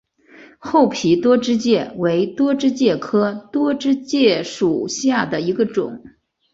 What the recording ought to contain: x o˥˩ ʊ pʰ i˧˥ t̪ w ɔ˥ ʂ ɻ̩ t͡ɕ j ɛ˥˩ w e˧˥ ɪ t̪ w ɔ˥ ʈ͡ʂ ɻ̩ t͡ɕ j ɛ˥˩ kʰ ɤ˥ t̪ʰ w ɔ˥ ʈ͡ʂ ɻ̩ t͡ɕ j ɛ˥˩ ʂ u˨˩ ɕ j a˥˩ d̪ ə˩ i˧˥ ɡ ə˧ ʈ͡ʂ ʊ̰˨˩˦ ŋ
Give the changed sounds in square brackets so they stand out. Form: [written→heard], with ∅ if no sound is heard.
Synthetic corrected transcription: x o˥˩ ʊ pʰ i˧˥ t̪ w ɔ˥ [ʂ→ʈ͡ʂ] ɻ̩ t͡ɕ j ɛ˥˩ w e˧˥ ɪ t̪ w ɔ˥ ʈ͡ʂ ɻ̩ t͡ɕ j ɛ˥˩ kʰ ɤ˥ [t̪ʰ→t̪] w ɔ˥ ʈ͡ʂ ɻ̩ t͡ɕ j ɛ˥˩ ʂ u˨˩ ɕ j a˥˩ d̪ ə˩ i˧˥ ɡ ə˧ ʈ͡ʂ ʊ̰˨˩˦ ŋ

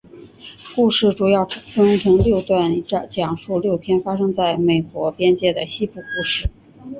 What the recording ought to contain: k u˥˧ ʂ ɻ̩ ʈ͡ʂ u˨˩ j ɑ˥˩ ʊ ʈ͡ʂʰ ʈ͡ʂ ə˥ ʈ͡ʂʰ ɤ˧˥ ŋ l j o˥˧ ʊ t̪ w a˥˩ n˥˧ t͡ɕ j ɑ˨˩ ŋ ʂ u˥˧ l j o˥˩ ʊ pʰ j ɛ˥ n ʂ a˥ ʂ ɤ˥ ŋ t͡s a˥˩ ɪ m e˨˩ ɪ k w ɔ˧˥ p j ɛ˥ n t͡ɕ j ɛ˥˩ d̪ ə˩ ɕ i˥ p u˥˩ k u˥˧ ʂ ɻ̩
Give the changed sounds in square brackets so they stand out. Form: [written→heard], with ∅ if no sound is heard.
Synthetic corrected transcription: k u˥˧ ʂ ɻ̩ ʈ͡ʂ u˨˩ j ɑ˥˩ ʊ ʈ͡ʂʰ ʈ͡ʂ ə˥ ʈ͡ʂʰ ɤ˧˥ ŋ l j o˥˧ ʊ t̪ w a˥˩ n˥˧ t͡ɕ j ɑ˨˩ ŋ ʂ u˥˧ l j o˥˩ ʊ pʰ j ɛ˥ n [ʂ→f] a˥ ʂ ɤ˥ ŋ t͡s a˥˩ ɪ m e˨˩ ɪ k w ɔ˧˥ p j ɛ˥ n t͡ɕ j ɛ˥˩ d̪ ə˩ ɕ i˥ p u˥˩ k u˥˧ ʂ ɻ̩

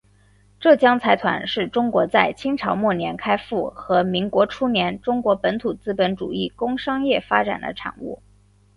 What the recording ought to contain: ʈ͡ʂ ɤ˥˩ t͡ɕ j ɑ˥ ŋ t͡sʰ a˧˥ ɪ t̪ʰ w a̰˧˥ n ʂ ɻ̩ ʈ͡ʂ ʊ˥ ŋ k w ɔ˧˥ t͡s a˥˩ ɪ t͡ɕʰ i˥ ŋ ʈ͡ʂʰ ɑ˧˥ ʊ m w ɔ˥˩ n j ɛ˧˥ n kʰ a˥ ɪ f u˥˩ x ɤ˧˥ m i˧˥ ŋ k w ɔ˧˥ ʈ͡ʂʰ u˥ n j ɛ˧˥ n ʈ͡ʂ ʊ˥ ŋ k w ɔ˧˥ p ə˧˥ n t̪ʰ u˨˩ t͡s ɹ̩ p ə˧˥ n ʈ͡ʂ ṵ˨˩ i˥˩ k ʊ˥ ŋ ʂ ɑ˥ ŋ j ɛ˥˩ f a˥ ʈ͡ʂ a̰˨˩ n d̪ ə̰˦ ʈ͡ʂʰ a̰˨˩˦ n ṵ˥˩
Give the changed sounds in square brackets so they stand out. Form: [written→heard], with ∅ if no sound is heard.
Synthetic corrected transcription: ʈ͡ʂ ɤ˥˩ t͡ɕ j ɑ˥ ŋ t͡sʰ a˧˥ ɪ t̪ʰ w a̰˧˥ n ʂ ɻ̩ ʈ͡ʂ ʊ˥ ŋ k w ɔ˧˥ t͡s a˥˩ ɪ t͡ɕʰ i˥ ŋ ʈ͡ʂʰ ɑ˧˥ ʊ m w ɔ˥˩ n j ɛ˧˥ n kʰ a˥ ɪ f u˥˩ x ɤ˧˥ m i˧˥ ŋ k w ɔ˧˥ ʈ͡ʂʰ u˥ n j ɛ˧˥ n ʈ͡ʂ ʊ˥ ŋ k w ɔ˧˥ p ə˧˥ n t̪ʰ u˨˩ t͡s ɹ̩ p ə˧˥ n ʈ͡ʂ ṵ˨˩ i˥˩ k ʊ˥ ŋ ʂ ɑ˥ ŋ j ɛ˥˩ f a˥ ʈ͡ʂ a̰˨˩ n d̪ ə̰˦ ʈ͡ʂʰ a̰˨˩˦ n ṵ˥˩

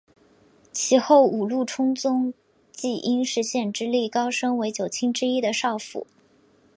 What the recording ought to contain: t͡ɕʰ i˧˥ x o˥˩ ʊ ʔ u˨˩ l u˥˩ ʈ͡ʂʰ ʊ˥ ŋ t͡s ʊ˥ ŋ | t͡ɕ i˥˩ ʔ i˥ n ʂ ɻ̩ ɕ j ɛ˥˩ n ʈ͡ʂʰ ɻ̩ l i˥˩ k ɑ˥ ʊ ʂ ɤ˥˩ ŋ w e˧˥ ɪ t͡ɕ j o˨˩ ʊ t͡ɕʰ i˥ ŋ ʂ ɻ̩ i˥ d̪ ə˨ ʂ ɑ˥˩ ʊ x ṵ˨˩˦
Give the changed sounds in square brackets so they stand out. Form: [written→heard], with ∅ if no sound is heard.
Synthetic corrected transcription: t͡ɕʰ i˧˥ x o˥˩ ʊ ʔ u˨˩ l u˥˩ ʈ͡ʂʰ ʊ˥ ŋ t͡s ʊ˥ ŋ | t͡ɕ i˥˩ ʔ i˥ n ʂ ɻ̩ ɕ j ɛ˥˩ n [ʈ͡ʂʰ→ʈ͡ʂ] ɻ̩ l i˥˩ k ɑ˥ ʊ ʂ [ɤ˥˩→ɤ˥] ŋ w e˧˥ ɪ t͡ɕ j o˨˩ ʊ t͡ɕʰ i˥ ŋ [ʂ→ʈ͡ʂ] ɻ̩ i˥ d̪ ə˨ ʂ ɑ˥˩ ʊ [x→f] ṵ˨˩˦

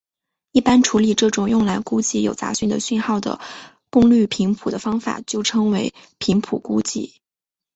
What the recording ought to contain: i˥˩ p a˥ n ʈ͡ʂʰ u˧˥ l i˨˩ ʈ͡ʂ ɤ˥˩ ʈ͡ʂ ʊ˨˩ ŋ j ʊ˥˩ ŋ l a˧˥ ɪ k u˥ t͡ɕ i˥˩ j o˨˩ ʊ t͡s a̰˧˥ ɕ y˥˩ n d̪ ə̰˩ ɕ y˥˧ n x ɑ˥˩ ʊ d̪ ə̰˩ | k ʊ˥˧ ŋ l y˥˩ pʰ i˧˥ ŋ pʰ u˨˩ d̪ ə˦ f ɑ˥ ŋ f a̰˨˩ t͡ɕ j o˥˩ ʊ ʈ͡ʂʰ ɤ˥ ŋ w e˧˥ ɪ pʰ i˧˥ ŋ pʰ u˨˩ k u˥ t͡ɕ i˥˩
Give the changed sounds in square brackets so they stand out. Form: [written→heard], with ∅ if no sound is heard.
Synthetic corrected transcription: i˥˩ p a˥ n ʈ͡ʂʰ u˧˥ l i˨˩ ʈ͡ʂ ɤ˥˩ ʈ͡ʂ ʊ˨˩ ŋ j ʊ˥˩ ŋ l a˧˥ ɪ k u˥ t͡ɕ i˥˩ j o˨˩ ʊ t͡s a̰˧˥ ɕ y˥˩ n d̪ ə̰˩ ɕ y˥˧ n x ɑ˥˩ ʊ d̪ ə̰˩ | k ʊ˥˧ ŋ l y˥˩ pʰ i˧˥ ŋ pʰ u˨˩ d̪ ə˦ f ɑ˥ ŋ f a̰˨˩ t͡ɕ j o˥˩ ʊ ʈ͡ʂʰ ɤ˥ ŋ w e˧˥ ɪ pʰ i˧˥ ŋ pʰ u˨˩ k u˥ t͡ɕ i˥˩

